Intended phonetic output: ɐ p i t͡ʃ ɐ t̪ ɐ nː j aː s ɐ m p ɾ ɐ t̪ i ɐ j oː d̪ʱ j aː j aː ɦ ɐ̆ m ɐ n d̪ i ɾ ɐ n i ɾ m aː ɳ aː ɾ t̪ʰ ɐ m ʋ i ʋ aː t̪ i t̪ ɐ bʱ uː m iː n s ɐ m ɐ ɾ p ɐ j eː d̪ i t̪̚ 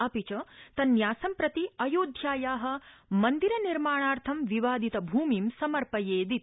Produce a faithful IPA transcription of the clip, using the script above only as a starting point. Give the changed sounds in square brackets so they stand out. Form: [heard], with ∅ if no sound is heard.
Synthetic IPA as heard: ɐ p i t͡ʃ ɐ t̪ ɐ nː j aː s ɐ m p ɾ ɐ t̪ i ɐ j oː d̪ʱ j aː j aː ɦ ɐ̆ m ɐ n d̪ i ɾ ɐ n i ɾ m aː ɳ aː ɾ t̪ʰ ɐ m ʋ i ʋ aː [d̪] i t̪ ɐ bʱ uː m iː [m] s ɐ m ɐ ɾ p ɐ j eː d̪ i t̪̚